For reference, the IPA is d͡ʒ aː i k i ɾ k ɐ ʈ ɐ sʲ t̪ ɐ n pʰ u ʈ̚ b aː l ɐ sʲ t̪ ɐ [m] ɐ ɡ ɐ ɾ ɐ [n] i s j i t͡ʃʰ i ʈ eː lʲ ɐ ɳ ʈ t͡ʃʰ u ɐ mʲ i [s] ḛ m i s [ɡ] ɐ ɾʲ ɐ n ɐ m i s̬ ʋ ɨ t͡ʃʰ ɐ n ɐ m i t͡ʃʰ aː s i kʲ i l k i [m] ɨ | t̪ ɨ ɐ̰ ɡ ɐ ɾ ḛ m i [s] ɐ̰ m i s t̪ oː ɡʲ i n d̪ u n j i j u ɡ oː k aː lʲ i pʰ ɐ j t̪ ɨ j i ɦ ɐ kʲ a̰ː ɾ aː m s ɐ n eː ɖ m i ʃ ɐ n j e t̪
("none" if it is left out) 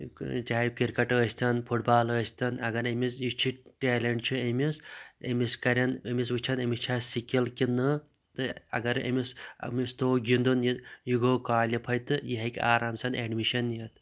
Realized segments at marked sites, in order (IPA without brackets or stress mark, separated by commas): n, m, s, k, n, s